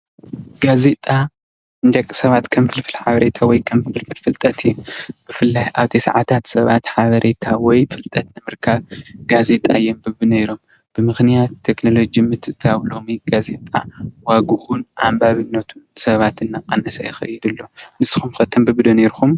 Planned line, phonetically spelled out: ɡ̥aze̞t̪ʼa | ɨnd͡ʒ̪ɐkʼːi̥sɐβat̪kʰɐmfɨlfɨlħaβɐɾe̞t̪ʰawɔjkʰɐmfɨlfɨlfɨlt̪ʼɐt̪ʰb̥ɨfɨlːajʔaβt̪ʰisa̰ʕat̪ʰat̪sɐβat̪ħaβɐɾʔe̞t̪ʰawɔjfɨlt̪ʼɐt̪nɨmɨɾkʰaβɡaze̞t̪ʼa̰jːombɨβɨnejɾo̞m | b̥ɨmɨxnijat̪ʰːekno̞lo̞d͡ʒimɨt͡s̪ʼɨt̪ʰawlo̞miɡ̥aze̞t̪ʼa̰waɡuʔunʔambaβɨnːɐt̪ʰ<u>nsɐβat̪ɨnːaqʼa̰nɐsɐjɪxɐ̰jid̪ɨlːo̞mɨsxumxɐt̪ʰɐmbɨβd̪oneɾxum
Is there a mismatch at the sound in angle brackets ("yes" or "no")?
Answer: no